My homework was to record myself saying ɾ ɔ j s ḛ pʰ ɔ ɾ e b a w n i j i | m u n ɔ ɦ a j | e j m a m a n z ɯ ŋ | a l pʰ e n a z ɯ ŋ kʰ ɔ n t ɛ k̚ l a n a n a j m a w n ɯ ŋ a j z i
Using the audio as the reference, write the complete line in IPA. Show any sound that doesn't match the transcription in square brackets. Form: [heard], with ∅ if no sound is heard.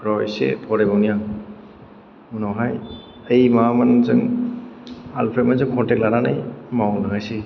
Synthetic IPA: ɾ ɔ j s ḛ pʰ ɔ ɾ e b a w n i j [a] | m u n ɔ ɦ a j | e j m a m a n z ɯ ŋ | a l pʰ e [m] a z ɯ ŋ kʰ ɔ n t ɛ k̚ l a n a n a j m a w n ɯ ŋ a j [s] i